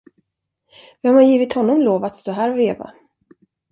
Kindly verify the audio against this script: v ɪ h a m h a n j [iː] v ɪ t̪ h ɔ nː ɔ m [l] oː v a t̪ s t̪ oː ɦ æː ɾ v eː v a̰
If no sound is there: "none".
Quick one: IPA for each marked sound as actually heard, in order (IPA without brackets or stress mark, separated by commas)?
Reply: iː, l